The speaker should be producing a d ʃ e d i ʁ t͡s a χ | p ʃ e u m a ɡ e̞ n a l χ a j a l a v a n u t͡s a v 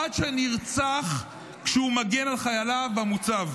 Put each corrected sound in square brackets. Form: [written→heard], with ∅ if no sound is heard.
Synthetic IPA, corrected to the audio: a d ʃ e [d→n] i ʁ t͡s a χ | [p→k] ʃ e u m a ɡ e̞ n a l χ a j a l a v a [n→m] u t͡s a v